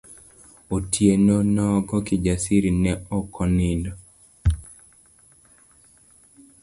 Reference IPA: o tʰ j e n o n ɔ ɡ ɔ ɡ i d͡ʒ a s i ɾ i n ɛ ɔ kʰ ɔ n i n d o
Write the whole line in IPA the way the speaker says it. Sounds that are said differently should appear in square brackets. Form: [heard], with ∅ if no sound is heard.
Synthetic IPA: o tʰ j e n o n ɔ ɡ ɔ [k] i d͡ʒ a s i ɾ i n ɛ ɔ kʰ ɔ n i n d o